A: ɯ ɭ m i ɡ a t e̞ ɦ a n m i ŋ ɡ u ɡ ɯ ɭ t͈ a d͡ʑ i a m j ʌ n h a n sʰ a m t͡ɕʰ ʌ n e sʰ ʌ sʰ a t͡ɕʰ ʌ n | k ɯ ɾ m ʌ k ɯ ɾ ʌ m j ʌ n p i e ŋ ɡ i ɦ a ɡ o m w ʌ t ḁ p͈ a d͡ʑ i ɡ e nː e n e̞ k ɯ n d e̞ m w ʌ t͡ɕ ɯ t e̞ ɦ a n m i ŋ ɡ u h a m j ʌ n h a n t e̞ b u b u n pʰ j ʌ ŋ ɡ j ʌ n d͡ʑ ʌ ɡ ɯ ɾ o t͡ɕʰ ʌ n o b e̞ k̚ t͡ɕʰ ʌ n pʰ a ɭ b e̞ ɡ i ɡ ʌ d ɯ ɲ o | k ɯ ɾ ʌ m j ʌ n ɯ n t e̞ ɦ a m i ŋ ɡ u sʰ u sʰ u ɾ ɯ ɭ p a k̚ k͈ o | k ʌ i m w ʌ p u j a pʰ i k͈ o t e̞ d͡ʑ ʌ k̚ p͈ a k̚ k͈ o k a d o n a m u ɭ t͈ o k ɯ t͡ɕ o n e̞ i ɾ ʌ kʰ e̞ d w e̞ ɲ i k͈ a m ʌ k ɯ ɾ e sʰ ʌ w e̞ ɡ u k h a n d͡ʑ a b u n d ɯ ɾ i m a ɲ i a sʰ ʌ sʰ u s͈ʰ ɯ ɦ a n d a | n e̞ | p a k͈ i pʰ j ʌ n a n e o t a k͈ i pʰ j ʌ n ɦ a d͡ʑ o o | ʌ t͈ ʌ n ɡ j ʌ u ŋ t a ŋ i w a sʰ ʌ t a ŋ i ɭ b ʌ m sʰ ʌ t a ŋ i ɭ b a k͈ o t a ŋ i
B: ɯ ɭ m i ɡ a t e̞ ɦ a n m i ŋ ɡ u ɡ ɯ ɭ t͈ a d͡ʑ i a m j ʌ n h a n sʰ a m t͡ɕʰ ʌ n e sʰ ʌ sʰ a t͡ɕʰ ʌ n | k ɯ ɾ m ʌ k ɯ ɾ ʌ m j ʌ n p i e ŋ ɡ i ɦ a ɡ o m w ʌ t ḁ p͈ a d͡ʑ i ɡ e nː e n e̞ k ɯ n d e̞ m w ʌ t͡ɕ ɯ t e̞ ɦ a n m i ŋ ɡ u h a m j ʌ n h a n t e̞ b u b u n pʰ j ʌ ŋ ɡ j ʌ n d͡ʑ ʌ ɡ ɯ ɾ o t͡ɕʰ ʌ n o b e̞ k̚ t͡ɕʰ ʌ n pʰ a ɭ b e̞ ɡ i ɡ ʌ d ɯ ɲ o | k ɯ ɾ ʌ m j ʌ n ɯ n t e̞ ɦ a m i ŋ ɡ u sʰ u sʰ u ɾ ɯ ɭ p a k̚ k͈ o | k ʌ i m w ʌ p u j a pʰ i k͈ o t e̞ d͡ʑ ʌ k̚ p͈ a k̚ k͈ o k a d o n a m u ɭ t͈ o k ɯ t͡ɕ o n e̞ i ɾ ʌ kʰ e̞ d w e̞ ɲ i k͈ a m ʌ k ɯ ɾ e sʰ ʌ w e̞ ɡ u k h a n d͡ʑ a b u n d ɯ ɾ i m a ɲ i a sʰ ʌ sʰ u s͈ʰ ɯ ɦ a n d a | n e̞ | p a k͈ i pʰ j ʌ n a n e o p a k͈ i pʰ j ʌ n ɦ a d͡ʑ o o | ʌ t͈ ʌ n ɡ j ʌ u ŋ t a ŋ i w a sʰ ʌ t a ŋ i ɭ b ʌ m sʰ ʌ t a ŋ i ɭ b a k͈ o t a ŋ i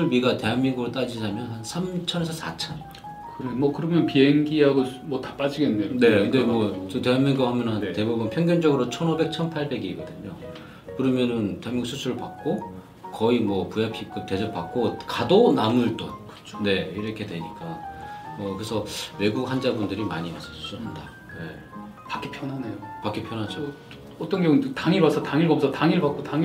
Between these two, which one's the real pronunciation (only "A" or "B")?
B